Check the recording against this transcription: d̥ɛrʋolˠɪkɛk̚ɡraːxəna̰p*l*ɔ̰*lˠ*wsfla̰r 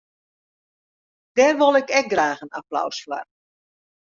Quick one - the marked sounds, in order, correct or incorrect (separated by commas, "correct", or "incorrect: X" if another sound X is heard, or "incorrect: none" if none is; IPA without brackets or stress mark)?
correct, incorrect: none